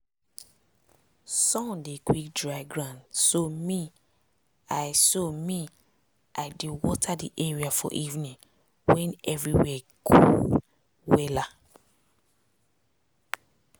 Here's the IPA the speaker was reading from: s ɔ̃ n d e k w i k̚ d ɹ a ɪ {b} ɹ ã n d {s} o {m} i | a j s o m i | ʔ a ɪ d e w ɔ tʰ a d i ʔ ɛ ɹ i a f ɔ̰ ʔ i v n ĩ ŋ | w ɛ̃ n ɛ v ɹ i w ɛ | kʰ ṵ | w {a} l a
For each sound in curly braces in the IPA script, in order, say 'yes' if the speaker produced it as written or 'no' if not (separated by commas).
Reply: no, yes, yes, no